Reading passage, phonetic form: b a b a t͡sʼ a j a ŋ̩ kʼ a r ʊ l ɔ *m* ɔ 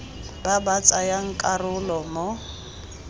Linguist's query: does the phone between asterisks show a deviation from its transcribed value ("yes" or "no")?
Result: no